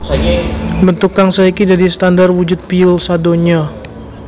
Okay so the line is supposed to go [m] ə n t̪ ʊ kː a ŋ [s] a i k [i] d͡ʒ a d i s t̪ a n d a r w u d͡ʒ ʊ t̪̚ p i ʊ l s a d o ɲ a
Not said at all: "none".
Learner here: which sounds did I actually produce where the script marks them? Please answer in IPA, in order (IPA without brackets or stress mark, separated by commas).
b, s, i